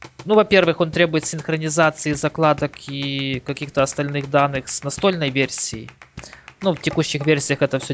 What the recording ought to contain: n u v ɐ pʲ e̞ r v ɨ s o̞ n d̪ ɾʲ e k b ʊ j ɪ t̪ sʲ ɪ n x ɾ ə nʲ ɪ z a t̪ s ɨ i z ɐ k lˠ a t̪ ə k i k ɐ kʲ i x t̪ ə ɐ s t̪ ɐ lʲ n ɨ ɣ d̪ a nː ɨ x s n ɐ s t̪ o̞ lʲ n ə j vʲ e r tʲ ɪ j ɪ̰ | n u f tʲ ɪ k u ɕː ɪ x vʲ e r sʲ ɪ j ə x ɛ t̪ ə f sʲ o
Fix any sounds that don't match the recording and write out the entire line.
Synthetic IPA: n u v ɐ pʲ e̞ r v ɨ x o̞ n t̪ ɾʲ e b ʊ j ɪ t̪ sʲ ɪ n x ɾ ə nʲ ɪ z a t̪ s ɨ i z ɐ k lˠ a d̪ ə k i k ɐ kʲ i x t̪ ə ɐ s t̪ ɐ lʲ n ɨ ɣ d̪ a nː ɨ x s n ɐ s t̪ o̞ lʲ n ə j vʲ e r sʲ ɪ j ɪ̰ | n u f tʲ ɪ k u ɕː ɪ x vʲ e r sʲ ɪ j ə x ɛ t̪ ə f sʲ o